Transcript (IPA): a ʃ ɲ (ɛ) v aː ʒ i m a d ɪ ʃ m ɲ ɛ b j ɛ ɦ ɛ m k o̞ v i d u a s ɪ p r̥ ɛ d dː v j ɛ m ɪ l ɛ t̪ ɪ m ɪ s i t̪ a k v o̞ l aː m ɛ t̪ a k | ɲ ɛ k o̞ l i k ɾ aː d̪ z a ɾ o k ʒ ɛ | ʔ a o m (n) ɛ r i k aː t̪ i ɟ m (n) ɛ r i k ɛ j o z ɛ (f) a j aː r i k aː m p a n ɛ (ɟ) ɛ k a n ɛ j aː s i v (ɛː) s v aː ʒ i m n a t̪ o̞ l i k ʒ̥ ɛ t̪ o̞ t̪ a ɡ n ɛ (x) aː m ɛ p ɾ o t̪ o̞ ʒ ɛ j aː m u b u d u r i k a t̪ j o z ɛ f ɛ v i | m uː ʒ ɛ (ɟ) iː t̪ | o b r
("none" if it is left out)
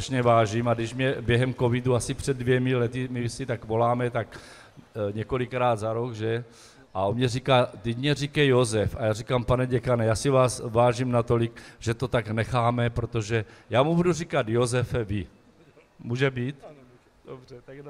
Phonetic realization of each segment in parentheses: ɛ, ɲ, ɲ, f, ɟ, aː, x, b

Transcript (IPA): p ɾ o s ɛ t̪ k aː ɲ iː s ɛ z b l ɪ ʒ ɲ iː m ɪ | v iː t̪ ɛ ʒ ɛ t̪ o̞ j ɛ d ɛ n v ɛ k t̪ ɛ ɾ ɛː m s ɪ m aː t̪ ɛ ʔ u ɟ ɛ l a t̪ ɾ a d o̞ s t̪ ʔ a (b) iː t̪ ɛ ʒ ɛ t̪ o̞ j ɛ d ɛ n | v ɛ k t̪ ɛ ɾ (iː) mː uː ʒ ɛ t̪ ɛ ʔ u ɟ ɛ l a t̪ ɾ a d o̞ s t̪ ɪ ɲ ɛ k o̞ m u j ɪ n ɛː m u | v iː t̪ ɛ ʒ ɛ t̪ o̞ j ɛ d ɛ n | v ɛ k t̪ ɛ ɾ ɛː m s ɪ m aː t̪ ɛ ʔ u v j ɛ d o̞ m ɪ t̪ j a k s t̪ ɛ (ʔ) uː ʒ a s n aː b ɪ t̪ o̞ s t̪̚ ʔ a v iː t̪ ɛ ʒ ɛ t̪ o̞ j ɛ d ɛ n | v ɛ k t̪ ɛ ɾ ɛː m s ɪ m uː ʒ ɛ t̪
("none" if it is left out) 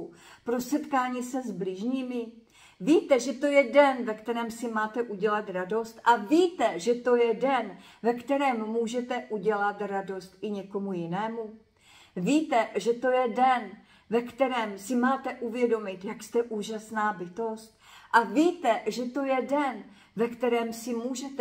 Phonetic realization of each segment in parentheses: v, ɛː, ʔ

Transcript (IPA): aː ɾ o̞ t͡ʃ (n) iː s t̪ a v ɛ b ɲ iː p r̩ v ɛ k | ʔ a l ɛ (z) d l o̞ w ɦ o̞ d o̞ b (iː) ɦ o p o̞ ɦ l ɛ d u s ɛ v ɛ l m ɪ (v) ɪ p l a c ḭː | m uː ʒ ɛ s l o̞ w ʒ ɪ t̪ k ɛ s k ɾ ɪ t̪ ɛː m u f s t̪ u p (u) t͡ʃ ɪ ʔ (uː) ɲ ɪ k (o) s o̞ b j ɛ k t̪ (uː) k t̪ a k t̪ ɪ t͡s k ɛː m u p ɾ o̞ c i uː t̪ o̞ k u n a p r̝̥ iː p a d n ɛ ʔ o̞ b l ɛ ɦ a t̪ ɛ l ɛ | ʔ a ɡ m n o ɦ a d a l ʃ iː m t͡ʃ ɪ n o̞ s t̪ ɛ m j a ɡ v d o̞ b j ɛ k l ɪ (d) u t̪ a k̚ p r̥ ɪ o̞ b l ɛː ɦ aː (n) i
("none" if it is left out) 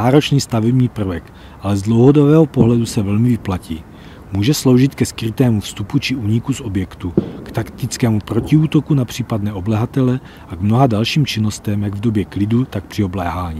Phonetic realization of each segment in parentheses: n, z, ɛː, v, u, uː, u, u, d, ɲ

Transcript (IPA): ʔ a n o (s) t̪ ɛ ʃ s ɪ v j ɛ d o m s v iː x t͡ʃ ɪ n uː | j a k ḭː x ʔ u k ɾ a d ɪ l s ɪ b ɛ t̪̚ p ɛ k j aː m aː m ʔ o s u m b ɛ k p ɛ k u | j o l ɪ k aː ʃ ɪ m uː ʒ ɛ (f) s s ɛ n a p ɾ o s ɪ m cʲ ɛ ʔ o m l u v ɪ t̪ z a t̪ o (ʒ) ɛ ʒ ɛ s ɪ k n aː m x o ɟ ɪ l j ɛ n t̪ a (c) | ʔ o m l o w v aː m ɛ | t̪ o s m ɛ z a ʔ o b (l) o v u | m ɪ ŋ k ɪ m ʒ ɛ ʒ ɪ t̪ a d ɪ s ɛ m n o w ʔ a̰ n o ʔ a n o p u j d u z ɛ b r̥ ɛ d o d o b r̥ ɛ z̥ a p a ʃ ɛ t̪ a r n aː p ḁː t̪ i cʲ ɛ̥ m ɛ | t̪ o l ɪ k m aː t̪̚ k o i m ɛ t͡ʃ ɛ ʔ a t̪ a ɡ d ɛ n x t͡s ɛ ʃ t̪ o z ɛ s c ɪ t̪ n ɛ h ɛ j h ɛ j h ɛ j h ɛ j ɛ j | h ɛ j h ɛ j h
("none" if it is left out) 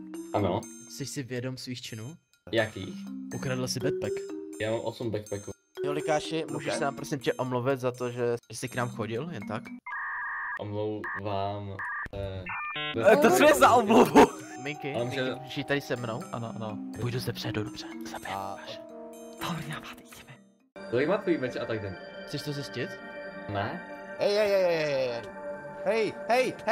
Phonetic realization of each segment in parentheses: s, ʃ, ʒ, k, l

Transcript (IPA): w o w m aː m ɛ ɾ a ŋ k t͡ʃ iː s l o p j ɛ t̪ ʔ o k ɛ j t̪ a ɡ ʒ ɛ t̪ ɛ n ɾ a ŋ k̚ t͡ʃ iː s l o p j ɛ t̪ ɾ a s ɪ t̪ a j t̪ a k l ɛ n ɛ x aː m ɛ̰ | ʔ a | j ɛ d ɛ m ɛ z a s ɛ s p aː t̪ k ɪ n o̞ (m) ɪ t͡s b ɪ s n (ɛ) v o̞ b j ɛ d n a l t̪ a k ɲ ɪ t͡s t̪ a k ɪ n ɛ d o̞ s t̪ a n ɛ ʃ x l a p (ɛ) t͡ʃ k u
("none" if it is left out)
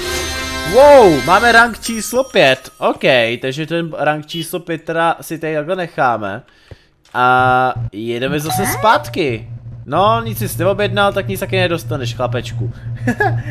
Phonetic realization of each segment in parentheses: ɲ, ɛ, ɛ

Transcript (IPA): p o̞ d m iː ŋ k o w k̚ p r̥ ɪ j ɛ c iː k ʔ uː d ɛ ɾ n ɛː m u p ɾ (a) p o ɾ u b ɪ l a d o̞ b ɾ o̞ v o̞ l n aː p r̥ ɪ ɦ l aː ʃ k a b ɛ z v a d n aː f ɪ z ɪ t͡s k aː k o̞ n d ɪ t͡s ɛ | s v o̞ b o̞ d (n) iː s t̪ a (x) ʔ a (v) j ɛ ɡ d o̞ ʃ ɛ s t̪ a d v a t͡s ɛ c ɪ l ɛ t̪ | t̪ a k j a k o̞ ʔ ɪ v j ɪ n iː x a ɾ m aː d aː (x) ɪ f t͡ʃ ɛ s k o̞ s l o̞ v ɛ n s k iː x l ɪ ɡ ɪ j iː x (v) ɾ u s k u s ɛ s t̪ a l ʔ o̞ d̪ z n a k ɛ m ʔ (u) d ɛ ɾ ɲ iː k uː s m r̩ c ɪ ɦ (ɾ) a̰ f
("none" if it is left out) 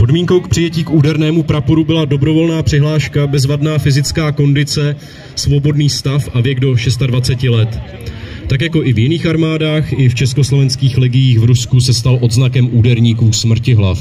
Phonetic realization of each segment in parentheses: a, n, f, v, x, v, uː, l

